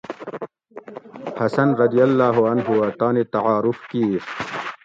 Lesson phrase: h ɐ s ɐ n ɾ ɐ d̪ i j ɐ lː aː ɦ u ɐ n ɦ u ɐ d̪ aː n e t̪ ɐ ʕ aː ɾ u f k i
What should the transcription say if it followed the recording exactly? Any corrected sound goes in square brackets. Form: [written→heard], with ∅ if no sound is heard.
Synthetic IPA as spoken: h ɐ s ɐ n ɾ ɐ d̪ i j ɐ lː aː ɦ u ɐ n ɦ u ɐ [d̪→t̪] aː n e t̪ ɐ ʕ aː ɾ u f k i